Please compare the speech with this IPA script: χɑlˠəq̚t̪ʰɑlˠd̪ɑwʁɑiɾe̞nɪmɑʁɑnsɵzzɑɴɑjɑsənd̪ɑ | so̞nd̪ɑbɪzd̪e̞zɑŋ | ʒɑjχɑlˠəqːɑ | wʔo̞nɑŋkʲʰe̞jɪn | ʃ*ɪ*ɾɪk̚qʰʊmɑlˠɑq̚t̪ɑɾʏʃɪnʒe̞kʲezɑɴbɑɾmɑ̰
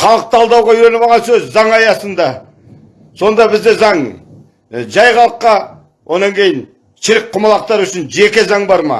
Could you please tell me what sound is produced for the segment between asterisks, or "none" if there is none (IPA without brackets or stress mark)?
ɪ